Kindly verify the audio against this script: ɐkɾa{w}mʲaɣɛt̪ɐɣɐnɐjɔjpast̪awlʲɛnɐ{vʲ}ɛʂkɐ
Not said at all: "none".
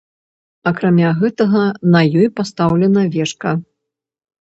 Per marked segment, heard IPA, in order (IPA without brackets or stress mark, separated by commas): none, vʲ